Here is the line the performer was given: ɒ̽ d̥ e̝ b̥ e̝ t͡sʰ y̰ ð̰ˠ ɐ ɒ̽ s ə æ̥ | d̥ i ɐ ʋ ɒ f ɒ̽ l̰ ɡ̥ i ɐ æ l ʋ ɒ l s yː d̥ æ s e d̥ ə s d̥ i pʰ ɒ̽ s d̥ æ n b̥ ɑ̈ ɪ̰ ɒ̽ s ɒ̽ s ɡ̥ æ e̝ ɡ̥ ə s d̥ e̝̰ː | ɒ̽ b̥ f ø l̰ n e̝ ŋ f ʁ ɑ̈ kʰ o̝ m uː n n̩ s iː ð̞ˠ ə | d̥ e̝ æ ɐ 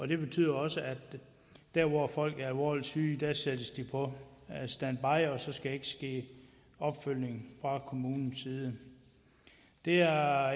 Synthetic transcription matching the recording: ɒ̽ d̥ e̝ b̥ e̝ t͡sʰ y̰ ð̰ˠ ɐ ɒ̽ s ə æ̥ | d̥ æ ɐ ʋ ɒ f ɒ̽ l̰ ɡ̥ æ ɐ æ l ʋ ɒ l s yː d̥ æ s e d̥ ə s d̥ i pʰ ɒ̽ s d̥ æ n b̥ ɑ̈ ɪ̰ ɒ̽ s ɒ̽ s ɡ̥ æ e̝ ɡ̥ ə s ɡ̥ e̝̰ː | ɒ̽ b̥ f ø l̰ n e̝ ŋ f ʁ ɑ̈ kʰ o̝ m uː n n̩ s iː ð̞ˠ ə | d̥ e̝ æ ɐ